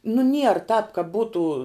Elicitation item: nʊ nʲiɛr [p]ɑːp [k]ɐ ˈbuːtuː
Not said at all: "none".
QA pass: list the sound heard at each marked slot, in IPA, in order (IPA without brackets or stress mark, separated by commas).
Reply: t, k